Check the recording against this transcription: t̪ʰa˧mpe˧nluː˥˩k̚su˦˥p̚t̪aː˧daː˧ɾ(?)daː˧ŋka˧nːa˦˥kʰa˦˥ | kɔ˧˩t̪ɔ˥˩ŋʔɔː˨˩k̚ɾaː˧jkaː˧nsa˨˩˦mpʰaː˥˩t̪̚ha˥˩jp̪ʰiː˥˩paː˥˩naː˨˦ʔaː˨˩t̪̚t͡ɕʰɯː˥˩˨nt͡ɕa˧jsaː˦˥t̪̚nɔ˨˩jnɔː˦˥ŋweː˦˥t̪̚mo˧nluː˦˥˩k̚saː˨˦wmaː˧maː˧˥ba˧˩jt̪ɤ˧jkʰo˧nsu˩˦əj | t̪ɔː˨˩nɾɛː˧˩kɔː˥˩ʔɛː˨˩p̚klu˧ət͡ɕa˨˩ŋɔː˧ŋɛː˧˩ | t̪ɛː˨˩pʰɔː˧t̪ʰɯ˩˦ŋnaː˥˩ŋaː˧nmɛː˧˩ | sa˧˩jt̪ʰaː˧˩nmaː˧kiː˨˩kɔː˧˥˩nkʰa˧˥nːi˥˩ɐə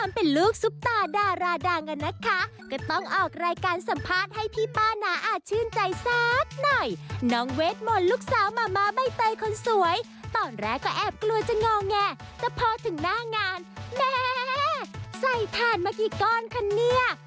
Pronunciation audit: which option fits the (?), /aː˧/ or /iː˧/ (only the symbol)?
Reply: aː˧